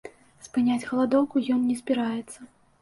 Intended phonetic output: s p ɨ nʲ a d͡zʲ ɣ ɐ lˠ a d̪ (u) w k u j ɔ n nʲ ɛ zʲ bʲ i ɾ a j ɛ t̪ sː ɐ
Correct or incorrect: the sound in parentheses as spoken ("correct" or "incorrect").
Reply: incorrect